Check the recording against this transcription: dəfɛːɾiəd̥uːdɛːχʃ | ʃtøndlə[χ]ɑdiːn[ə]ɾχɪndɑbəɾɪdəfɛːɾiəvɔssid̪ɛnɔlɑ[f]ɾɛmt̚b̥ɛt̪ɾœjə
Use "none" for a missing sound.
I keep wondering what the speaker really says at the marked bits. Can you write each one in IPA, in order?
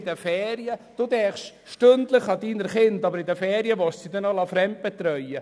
χ, ə, f

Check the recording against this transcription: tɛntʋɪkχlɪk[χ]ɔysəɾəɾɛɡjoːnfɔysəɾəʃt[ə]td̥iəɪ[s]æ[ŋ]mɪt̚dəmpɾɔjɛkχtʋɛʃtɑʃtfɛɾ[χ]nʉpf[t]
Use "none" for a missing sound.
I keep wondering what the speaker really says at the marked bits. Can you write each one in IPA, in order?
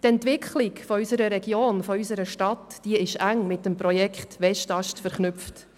f, ɑ, ʃ, ŋ, χ, t

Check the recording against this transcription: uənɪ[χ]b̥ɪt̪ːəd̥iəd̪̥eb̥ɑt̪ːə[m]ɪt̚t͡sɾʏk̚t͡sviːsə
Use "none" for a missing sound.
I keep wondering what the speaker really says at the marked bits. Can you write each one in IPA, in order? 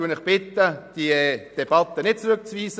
χ, n

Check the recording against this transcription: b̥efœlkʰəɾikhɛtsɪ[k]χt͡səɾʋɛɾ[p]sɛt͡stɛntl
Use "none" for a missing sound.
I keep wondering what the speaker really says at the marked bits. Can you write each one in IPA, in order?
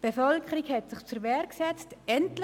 none, k

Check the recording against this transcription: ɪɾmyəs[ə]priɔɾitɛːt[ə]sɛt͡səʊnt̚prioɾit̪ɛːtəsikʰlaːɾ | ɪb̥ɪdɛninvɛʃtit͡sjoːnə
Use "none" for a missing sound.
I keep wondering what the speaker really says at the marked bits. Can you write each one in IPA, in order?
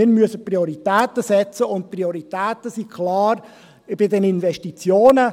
ə, ə

